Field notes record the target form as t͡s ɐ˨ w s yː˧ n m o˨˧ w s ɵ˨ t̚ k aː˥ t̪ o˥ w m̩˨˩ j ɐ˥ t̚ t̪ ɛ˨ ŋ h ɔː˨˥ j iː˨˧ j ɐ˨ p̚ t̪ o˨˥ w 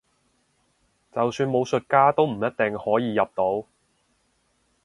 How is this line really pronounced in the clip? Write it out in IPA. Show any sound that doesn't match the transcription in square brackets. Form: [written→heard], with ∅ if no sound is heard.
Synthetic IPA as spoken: t͡s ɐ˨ w s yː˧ n m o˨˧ w s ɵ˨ t̚ k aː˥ t̪ o˥ w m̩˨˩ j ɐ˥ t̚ t̪ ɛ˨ ŋ h ɔː˨˥ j iː˨˧ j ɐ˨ p̚ t̪ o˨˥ w